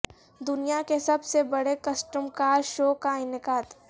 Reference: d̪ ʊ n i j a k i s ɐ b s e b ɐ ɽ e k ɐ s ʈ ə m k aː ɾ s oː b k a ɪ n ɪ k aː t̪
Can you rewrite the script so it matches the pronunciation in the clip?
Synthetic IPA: d̪ ʊ n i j a k e s ɐ b s e b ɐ ɽ e k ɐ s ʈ ə m k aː ɾ ʃ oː k a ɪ n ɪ k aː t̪